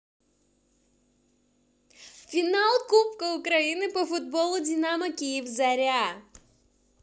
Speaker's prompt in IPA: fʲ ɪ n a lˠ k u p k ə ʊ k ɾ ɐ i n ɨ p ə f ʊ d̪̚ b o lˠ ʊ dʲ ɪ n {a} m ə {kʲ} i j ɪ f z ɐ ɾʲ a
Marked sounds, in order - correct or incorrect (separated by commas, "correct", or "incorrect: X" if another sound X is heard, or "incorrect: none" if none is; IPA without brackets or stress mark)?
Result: correct, correct